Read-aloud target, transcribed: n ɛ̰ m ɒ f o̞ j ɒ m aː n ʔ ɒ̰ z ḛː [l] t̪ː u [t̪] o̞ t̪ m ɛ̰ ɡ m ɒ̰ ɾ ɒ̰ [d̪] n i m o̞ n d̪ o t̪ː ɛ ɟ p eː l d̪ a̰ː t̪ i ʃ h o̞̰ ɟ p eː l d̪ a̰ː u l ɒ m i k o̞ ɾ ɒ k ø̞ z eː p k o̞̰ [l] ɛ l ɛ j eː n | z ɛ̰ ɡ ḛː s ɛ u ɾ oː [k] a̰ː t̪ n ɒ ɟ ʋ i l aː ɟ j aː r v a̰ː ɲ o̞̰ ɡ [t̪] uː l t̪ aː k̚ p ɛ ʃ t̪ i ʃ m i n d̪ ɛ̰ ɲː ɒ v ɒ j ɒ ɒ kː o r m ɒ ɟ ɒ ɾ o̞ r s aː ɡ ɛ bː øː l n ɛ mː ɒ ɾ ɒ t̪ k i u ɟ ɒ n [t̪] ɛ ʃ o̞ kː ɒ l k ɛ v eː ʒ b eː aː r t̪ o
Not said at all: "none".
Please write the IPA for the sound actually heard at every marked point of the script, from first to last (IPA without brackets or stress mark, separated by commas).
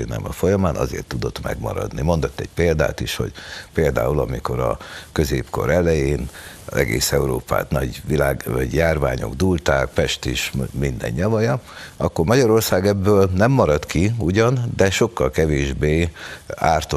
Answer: r, d̪, d̪, ɾ, p, d̪, d̪